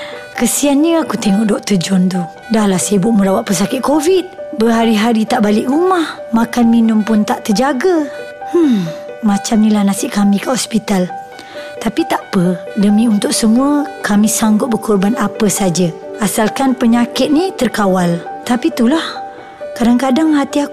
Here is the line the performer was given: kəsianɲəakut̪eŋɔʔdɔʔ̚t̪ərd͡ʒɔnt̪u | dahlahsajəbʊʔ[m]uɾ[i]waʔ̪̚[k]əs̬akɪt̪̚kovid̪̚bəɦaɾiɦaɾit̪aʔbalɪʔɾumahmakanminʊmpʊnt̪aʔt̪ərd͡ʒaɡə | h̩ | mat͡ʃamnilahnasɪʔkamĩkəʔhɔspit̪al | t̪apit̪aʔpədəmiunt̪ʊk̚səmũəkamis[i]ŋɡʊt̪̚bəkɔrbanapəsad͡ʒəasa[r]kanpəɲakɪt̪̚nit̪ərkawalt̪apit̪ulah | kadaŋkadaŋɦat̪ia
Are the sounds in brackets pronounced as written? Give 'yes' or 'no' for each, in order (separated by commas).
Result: yes, no, no, no, no